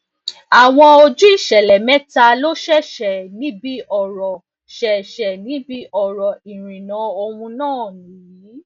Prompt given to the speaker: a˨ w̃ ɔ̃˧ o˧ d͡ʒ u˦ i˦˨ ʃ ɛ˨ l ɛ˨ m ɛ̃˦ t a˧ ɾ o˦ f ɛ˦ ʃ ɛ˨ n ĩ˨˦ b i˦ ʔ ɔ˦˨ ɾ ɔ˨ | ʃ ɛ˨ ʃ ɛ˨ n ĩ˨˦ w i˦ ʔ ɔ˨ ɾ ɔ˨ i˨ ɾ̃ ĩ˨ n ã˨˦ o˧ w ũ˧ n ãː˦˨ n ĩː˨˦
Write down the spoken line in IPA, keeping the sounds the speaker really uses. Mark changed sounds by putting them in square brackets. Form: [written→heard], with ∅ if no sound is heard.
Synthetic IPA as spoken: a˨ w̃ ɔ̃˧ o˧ d͡ʒ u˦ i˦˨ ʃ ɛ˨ l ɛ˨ m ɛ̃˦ t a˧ [ɾ→l] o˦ [f→ʃ] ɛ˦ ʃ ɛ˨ n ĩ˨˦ b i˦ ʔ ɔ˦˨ ɾ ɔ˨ | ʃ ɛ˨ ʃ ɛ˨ n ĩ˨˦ [w→b] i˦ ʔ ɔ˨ ɾ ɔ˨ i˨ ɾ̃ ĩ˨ n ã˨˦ o˧ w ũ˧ n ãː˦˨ n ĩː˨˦

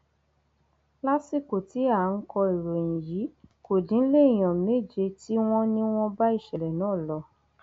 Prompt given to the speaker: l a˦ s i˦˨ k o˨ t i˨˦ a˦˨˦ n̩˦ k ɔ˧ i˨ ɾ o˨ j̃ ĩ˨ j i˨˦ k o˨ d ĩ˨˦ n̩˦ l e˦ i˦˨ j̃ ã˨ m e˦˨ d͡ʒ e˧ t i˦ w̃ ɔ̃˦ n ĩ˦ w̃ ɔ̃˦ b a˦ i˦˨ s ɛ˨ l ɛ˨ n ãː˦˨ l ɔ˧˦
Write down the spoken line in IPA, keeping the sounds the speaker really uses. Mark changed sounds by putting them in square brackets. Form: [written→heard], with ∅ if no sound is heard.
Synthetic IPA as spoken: l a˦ s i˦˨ k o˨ t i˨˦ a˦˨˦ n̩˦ k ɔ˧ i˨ ɾ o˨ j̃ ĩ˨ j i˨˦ k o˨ d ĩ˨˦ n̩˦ l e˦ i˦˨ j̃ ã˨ m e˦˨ d͡ʒ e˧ t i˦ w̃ ɔ̃˦ n ĩ˦ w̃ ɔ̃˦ b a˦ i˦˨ [s→ʃ] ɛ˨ l ɛ˨ n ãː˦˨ l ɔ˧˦

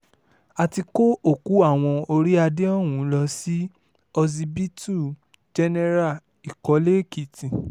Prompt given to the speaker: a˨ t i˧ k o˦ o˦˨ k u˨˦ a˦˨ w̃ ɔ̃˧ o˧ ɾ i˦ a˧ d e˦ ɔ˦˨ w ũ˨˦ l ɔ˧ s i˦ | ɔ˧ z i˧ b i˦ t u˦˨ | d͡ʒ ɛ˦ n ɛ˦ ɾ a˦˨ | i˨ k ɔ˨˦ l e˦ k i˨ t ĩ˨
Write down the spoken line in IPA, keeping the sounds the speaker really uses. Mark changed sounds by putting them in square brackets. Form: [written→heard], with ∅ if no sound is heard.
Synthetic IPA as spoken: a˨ t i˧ k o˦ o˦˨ k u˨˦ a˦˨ w̃ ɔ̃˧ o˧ ɾ i˦ a˧ d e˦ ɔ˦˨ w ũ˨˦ l ɔ˧ s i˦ | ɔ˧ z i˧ b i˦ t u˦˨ | d͡ʒ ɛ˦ n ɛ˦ ɾ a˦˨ | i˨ k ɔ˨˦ l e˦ k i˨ t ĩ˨

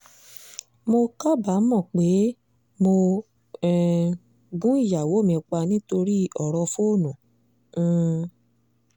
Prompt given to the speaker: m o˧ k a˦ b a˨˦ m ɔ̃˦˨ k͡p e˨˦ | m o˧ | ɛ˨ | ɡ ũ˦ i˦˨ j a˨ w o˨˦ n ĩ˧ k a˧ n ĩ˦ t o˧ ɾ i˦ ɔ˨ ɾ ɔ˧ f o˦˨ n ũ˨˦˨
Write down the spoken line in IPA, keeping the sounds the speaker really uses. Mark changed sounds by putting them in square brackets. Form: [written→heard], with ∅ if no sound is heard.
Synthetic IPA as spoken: m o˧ k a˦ b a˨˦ m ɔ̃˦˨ k͡p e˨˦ | m o˧ | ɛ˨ | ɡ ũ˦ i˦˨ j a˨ w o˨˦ [n→m] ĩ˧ [k→k͡p] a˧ n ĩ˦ t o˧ ɾ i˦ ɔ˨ ɾ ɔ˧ f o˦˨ n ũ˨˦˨

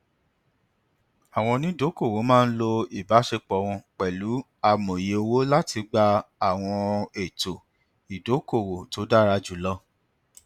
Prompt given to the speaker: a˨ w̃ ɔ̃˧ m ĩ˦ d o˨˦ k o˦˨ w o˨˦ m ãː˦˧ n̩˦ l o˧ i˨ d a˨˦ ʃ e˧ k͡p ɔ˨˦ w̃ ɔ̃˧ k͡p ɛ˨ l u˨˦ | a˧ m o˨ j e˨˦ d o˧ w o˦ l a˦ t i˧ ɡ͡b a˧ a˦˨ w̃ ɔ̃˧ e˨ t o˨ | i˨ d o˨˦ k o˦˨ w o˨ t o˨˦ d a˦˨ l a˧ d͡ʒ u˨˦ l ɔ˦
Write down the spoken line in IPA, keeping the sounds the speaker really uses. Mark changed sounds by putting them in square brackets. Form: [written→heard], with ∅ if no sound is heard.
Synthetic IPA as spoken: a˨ w̃ ɔ̃˧ [m→n] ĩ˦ d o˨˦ k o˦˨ w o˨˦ m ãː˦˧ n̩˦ l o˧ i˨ [d→b] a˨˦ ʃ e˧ k͡p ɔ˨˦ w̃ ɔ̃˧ k͡p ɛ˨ l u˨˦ | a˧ m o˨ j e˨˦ [d→∅] o˧ w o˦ l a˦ t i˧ ɡ͡b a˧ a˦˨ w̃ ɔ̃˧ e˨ t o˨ | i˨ d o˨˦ k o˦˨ w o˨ t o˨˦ d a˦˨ [l→ɾ] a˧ d͡ʒ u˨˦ l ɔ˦

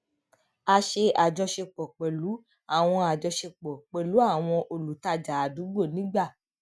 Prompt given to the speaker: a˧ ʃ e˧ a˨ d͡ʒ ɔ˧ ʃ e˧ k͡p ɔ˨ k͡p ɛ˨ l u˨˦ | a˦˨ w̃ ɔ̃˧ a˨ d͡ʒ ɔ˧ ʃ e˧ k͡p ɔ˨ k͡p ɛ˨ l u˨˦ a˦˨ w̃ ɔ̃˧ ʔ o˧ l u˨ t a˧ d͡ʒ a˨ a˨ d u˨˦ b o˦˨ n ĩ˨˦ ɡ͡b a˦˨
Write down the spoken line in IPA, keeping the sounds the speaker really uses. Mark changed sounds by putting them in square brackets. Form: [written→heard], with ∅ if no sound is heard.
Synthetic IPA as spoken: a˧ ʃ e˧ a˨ d͡ʒ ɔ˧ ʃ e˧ k͡p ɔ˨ k͡p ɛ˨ l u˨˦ | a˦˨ w̃ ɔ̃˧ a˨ d͡ʒ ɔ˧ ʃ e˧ k͡p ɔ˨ k͡p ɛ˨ l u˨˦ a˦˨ w̃ ɔ̃˧ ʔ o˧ l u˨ t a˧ d͡ʒ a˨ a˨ d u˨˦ [b→ɡ͡b] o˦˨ n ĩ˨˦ ɡ͡b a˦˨

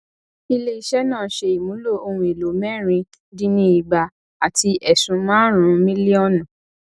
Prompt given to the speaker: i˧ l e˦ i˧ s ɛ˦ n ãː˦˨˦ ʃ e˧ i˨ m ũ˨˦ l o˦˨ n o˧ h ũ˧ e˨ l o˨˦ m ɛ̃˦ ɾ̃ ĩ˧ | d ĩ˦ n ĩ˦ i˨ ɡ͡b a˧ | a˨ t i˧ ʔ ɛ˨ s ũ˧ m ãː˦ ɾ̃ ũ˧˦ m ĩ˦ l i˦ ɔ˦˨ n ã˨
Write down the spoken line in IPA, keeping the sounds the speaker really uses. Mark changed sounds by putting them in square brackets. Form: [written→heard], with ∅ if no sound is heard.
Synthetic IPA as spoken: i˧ l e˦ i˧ [s→ʃ] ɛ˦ n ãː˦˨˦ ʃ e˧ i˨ m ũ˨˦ l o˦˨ [n→∅] o˧ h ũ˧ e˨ l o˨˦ m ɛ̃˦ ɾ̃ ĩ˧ | d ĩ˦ n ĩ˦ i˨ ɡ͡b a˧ | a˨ t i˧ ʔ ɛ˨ s ũ˧ m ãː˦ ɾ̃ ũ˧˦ m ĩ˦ l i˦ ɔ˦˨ n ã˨

